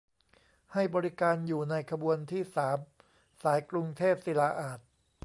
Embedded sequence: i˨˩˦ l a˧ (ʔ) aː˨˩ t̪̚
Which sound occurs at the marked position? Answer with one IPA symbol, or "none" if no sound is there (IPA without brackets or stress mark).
ʔ